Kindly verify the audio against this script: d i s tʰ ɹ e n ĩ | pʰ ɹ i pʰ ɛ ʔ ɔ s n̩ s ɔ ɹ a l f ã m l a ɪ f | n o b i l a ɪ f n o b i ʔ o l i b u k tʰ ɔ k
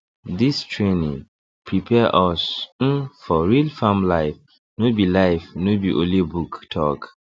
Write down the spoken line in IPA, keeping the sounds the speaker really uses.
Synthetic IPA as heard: d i s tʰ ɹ e n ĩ | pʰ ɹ i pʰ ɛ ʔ ɔ s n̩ f ɔ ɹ i l f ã m l a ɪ f | n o b i l a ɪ f n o b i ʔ o l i b u k tʰ ɔ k